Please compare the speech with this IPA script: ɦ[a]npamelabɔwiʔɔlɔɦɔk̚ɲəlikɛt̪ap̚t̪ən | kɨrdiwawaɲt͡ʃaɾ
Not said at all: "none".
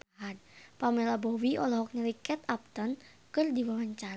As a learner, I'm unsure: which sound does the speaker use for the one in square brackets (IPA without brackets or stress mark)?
a